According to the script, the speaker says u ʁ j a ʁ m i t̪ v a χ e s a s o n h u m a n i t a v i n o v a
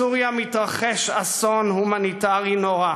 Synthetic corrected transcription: u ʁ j a m i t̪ ʁ a χ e ʃ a s o n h u m a n i t a ʁ i n o ʁ a